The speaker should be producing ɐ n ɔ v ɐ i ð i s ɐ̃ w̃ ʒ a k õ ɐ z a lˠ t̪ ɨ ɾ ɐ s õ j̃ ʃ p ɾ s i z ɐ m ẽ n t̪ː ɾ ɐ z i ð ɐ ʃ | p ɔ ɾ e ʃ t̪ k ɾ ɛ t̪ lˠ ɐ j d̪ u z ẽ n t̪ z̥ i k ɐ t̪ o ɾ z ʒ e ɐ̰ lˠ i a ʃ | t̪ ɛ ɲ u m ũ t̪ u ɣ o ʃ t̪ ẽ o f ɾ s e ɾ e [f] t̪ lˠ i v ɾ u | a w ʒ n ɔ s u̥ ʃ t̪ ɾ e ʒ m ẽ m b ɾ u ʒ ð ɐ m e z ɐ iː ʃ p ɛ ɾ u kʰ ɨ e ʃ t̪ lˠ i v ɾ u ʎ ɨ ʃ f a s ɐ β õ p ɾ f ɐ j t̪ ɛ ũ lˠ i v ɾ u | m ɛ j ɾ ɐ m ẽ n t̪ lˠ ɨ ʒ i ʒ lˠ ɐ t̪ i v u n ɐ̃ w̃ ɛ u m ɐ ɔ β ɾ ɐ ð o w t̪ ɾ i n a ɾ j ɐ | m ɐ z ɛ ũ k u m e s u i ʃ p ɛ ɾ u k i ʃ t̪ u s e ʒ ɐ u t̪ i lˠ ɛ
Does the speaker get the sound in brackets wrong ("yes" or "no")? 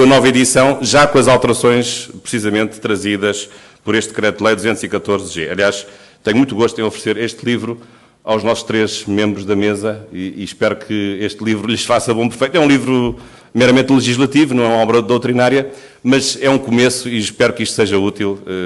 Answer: yes